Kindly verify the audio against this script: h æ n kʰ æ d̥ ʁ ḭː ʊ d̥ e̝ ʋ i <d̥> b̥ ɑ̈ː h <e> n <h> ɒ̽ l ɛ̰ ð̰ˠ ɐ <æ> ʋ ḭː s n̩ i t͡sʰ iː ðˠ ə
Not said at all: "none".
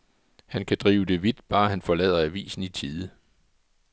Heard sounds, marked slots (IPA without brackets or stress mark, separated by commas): d̥, æ, f, æ